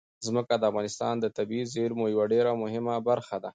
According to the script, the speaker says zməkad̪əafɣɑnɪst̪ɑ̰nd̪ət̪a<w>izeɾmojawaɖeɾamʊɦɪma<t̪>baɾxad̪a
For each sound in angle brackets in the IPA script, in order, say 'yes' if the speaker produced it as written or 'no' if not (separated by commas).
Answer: no, no